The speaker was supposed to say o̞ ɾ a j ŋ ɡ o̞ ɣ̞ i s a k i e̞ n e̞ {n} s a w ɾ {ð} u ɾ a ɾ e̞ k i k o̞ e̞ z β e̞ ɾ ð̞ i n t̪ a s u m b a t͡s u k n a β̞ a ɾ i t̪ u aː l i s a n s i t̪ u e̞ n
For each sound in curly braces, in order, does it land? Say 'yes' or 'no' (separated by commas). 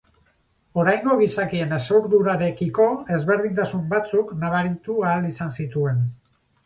no, yes